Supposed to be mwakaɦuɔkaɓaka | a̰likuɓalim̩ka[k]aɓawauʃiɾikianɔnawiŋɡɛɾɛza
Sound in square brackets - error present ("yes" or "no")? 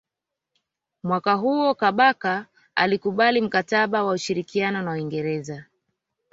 yes